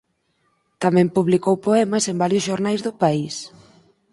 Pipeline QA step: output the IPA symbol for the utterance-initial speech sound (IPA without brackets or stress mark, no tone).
t̪